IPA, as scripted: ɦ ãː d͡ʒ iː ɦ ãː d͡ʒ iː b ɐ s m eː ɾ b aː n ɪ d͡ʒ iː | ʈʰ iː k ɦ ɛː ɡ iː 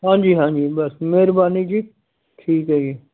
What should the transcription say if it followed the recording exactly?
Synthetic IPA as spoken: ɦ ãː d͡ʒ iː ɦ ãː d͡ʒ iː b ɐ s m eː ɾ b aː n i d͡ʒ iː | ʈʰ iː k ɦ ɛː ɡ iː